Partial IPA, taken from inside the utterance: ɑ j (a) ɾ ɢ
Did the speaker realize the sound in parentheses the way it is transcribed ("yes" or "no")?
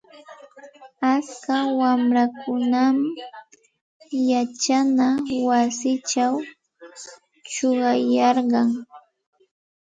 no